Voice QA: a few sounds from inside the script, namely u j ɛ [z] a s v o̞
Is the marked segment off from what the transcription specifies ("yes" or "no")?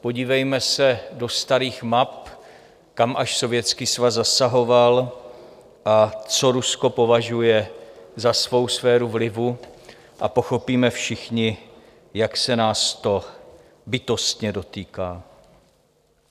no